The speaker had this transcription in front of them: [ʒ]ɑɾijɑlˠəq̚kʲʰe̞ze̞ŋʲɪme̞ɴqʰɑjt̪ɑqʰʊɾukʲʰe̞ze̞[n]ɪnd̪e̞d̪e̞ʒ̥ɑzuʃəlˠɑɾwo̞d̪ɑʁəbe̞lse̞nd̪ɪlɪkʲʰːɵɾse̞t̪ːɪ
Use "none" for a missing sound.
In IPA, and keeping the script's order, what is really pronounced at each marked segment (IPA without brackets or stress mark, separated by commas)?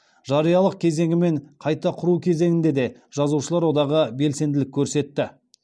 ʒ, ŋ